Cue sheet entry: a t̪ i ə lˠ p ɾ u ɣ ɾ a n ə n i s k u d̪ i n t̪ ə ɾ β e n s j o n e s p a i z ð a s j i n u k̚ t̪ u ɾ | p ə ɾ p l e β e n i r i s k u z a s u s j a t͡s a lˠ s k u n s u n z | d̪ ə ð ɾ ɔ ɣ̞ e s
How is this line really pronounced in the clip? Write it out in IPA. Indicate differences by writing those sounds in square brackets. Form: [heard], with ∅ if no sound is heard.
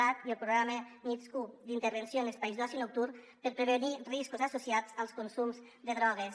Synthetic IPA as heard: a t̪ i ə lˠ p ɾ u ɣ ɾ a [m] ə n i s k u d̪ i n t̪ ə ɾ β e n s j o n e s p a i z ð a s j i n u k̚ t̪ u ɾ | p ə ɾ p [ɾ] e β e n i r i s k u z a s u s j a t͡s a lˠ s k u n s u [m] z | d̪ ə ð ɾ ɔ ɣ̞ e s